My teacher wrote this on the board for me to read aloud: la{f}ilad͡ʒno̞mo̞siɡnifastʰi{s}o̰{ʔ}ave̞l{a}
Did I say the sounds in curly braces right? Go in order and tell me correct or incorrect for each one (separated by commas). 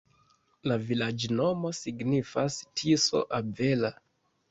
incorrect, correct, correct, correct